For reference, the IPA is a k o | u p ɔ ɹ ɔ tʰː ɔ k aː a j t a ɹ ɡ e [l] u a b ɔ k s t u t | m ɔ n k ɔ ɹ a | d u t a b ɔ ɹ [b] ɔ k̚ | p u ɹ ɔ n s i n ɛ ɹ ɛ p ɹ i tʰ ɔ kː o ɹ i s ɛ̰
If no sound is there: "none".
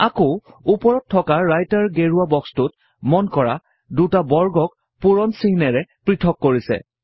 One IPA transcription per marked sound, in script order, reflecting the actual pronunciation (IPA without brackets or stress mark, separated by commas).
ɹ, ɡ